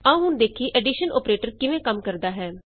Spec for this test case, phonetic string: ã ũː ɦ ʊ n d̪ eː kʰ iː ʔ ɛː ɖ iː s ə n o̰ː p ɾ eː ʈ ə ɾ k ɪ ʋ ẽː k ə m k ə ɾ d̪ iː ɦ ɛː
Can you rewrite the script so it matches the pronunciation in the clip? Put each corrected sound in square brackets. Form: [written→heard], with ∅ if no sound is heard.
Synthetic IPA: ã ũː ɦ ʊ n d̪ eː kʰ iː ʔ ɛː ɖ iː [s→ʃ] ə n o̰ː p ɾ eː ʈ ə ɾ k ɪ ʋ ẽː k ə m k ə ɾ d̪ [iː→aː] ɦ ɛː